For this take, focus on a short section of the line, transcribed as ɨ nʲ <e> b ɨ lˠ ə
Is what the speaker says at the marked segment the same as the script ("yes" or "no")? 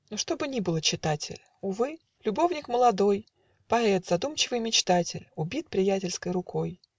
no